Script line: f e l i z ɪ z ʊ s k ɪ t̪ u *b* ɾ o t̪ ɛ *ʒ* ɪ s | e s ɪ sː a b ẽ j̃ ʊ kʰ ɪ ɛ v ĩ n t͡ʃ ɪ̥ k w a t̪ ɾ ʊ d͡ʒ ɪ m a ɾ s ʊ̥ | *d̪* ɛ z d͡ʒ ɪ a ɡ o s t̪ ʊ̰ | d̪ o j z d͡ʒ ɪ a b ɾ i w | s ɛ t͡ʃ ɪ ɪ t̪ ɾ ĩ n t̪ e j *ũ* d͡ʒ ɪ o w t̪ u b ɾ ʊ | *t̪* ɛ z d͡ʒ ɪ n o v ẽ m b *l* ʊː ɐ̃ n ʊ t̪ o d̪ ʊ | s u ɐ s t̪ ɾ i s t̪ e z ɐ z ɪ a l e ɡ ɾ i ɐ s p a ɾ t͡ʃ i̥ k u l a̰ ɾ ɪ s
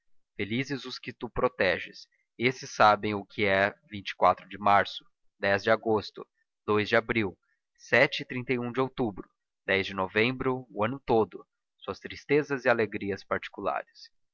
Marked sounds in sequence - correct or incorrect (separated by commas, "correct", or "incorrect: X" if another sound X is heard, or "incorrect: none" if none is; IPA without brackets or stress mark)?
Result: incorrect: p, correct, correct, correct, incorrect: d̪, incorrect: ɾ